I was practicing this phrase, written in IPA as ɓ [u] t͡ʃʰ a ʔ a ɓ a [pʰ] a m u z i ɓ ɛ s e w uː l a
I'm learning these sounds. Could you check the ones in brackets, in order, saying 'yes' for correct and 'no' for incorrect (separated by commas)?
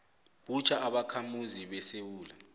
yes, no